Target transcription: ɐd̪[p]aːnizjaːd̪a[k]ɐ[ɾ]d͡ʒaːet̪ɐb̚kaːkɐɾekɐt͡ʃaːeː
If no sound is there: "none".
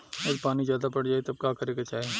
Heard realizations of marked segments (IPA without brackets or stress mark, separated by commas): p, p, ɽ